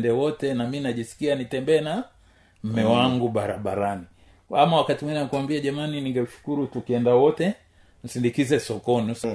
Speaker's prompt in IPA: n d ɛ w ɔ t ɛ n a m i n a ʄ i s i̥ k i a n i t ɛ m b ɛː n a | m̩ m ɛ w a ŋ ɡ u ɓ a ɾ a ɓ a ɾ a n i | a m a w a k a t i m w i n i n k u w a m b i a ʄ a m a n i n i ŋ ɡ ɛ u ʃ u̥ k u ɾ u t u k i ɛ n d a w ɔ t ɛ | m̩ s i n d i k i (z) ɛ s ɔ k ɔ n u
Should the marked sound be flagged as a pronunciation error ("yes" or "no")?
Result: no